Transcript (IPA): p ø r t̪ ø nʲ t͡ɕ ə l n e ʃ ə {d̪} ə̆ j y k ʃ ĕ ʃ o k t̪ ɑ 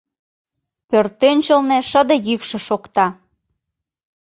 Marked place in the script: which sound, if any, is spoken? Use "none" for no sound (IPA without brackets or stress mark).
d̪